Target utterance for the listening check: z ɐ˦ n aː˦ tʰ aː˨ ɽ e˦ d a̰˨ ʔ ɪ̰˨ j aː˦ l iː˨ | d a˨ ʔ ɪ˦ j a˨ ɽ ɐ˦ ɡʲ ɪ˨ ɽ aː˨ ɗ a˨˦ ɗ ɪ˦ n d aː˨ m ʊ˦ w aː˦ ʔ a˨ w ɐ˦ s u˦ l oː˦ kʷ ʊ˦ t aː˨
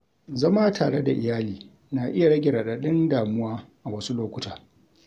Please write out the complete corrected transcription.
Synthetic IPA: z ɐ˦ m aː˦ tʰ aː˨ ɽ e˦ d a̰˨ ʔ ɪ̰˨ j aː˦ l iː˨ | n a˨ ʔ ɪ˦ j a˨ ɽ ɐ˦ ɡʲ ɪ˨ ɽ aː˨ ɗ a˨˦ ɗ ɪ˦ n d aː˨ m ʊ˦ w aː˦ ʔ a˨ w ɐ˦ s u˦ l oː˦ kʷ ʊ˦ t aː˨

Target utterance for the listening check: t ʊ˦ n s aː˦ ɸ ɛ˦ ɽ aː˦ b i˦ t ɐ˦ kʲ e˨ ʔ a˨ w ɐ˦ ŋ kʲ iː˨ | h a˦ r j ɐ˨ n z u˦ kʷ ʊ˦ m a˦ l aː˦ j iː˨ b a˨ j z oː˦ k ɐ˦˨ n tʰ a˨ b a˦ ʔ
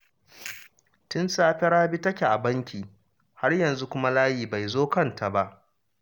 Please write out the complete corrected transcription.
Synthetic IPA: t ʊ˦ n s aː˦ ɸ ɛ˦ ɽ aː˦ b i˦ t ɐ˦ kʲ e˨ ʔ a˨ b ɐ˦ ŋ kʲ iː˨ | h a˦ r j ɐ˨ n z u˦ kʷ ʊ˦ m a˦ l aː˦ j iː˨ b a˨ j z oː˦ k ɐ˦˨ n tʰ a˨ b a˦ ʔ

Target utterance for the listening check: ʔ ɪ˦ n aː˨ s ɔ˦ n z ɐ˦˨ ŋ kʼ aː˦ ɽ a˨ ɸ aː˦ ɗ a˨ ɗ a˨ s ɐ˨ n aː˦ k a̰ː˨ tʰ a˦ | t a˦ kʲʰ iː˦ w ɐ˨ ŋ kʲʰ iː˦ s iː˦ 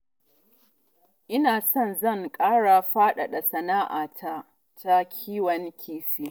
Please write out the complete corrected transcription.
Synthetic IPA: ʔ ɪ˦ n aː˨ s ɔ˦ n z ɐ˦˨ ŋ kʼ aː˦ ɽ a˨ ɸ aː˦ ɗ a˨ ɗ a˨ s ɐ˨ n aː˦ ʔ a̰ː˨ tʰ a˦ | t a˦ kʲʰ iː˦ w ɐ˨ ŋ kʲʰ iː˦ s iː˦

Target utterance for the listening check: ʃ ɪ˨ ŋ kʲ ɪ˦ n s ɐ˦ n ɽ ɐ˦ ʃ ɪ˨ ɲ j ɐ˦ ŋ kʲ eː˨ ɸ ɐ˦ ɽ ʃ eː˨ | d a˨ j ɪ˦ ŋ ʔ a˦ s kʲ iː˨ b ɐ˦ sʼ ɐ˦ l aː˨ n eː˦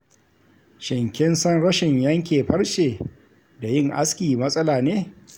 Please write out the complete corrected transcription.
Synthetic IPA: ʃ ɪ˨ ŋ kʲ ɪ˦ n s ɐ˦ n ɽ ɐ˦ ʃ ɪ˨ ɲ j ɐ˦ ŋ kʲ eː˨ ɸ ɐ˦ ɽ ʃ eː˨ | d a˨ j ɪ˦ ŋ ʔ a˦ s kʲ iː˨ m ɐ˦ sʼ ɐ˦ l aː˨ n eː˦

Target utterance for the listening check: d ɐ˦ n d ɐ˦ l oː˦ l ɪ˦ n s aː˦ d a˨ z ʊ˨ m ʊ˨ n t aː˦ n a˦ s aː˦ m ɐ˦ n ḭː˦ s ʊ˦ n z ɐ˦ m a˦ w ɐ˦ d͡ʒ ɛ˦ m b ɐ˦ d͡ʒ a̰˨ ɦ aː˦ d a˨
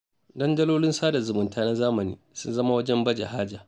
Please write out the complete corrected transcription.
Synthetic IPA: d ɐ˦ n d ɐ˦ l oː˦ l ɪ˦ n s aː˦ d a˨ z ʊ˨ m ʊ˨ n t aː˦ n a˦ z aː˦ m ɐ˨ n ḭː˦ s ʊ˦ n z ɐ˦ m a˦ w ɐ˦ d͡ʒ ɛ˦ m b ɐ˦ d͡ʒ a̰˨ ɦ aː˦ d͡ʒ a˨

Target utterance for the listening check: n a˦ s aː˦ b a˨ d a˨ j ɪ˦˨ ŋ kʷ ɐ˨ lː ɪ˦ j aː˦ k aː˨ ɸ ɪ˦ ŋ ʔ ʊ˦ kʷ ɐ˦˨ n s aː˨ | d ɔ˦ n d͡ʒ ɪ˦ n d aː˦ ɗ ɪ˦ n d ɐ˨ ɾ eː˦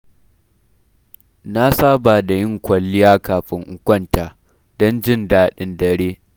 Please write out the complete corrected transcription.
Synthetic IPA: n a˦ s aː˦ b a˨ d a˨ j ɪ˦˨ ŋ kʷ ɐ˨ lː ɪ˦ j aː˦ k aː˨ ɸ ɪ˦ ŋ ʔ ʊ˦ kʷ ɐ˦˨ n t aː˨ | d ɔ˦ n d͡ʒ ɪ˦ n d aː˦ ɗ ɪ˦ n d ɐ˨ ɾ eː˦

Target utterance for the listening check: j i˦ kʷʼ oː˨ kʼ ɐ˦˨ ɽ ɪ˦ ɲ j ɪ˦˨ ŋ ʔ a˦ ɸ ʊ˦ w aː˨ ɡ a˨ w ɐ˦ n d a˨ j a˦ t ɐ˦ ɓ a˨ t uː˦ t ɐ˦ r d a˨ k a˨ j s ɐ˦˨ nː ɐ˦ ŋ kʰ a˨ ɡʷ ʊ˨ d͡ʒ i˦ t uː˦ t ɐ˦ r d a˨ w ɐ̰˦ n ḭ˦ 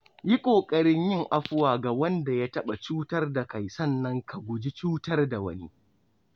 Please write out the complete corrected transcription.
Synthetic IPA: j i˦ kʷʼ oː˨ kʼ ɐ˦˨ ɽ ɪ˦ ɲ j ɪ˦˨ ŋ ʔ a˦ ɸ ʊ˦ w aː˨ ɡ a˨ w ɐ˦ n d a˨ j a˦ t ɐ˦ ɓ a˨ t͡ʃ uː˦ t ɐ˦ r d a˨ k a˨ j s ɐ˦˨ nː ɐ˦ ŋ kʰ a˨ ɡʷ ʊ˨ d͡ʒ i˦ t͡ʃ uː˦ t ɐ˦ r d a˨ w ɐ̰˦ n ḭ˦

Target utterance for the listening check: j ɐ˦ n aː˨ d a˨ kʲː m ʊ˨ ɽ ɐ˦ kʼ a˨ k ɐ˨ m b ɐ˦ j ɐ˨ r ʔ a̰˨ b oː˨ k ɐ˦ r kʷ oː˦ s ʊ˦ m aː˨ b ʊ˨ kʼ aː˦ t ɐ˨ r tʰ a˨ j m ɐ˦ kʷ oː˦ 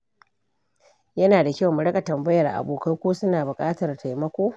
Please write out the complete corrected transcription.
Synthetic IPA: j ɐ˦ n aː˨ d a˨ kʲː m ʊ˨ ɽ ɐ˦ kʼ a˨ t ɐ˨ m b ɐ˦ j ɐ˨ r ʔ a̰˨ b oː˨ k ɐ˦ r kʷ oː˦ s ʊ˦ n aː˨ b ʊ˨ kʼ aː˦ t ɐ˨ r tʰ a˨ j m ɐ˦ kʷ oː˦

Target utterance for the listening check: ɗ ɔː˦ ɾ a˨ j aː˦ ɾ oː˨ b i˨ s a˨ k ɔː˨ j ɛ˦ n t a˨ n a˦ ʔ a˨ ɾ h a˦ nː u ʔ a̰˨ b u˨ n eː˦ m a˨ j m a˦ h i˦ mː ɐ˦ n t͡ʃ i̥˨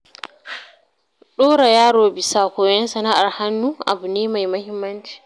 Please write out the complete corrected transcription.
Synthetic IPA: ɗ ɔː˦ ɾ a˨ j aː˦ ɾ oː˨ b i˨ s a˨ k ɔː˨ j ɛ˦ n s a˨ n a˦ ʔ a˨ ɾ h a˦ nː u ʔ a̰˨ b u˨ n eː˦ m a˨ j m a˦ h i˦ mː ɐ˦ n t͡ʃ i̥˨

